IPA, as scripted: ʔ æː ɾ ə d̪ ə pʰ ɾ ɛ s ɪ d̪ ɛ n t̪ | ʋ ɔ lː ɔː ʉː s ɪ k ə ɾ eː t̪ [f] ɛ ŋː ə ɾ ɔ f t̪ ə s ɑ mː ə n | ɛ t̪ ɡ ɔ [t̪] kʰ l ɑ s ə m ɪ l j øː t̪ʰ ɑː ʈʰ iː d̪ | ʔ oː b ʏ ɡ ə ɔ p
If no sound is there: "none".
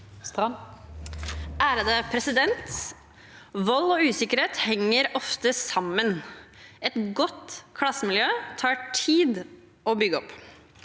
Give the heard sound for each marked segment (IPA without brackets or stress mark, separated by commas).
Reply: h, t̪